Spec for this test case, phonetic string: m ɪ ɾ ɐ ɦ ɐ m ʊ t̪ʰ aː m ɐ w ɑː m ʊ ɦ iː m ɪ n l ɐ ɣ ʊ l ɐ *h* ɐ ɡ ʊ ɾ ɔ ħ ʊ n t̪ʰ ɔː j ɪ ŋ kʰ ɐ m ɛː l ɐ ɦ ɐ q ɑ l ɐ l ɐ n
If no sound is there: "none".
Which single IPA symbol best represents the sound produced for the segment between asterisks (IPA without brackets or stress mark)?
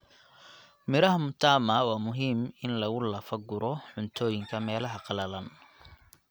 f